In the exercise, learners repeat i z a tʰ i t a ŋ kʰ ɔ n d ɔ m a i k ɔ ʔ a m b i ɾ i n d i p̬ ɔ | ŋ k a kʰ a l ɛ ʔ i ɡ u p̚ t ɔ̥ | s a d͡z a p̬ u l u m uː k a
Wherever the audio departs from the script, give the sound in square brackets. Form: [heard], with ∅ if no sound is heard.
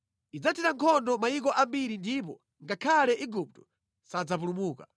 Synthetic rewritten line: i [d͡z] a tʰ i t a ŋ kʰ ɔ n d ɔ m a i k ɔ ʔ a m b i ɾ i n d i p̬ ɔ | ŋ [ɡ] a kʰ a l ɛ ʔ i ɡ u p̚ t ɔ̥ | s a d͡z a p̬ u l u m uː k a